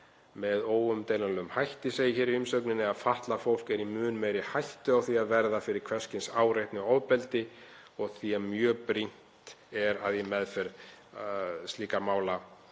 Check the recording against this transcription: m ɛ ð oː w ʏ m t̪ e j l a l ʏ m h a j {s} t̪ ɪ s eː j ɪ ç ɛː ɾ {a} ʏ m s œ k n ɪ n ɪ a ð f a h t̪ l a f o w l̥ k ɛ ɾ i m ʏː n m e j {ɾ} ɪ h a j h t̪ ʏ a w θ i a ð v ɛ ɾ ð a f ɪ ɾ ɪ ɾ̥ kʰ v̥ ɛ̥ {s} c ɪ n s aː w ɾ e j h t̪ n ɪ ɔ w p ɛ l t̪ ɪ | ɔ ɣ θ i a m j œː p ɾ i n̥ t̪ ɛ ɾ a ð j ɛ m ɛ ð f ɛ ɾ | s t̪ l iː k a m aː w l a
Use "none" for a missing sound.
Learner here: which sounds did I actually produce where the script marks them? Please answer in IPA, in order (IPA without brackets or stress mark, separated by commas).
h, i, ɾ, s